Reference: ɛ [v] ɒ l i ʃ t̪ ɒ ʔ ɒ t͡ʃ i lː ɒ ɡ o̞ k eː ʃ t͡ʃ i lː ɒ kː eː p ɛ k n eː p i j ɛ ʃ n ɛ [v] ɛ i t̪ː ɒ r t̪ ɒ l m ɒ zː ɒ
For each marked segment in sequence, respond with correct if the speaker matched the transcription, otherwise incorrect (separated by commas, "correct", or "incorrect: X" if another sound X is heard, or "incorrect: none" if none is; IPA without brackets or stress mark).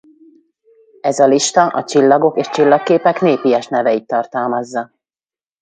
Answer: incorrect: z, correct